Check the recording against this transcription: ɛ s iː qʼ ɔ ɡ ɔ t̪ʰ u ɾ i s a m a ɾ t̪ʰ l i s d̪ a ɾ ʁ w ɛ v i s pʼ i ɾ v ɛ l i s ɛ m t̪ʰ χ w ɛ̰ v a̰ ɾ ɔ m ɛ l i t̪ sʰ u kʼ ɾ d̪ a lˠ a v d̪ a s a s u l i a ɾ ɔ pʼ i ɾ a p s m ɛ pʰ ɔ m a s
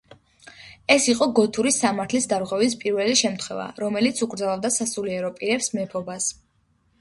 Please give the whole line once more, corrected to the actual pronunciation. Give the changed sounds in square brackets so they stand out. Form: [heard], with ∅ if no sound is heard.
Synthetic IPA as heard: ɛ s [i] qʼ ɔ ɡ ɔ t̪ʰ u ɾ i s a m a ɾ t̪ʰ l i s d̪ a ɾ ʁ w ɛ v i s pʼ i ɾ v ɛ l i [ʃ] ɛ m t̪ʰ χ w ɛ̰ v a̰ ɾ ɔ m ɛ l i t̪ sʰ u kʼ ɾ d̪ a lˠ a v d̪ a s a s u l i [ɛ] ɾ ɔ pʼ i ɾ [ɛ] p s m ɛ pʰ ɔ [b] a s